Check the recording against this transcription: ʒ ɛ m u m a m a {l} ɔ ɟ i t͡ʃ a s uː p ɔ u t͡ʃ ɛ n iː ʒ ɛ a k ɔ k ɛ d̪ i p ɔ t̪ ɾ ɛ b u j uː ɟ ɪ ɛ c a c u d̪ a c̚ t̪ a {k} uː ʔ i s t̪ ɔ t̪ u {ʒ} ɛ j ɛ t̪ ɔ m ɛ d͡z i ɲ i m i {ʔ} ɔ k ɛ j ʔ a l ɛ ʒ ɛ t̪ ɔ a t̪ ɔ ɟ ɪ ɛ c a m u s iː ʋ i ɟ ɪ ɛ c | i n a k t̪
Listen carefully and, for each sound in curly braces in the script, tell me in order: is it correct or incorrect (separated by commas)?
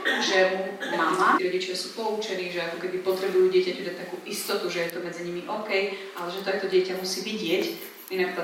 incorrect, correct, correct, correct